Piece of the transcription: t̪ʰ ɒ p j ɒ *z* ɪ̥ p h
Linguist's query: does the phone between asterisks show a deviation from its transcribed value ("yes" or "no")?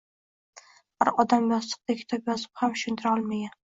no